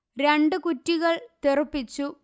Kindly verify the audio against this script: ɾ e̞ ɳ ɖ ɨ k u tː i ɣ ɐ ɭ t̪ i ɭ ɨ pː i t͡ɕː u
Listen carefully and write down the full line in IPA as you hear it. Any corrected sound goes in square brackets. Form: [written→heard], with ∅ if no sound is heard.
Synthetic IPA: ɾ e̞ ɳ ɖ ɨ k u tː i ɣ ɐ ɭ t̪ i [ɭ→r] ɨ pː i t͡ɕː u